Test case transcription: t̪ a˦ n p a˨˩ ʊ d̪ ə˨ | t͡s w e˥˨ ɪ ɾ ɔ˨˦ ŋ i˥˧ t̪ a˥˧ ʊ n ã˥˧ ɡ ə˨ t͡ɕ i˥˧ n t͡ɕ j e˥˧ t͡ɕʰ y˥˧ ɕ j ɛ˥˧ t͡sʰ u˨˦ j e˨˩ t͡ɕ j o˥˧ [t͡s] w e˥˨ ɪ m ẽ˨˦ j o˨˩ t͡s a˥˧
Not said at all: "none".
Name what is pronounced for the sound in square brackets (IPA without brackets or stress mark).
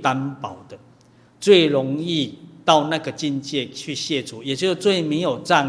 t͡s